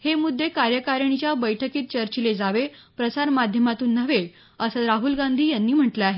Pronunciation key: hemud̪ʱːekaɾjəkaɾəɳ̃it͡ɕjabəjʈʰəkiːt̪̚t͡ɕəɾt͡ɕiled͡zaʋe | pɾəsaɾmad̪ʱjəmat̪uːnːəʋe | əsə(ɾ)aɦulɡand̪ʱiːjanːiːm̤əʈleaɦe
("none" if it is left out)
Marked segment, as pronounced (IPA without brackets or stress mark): ɾ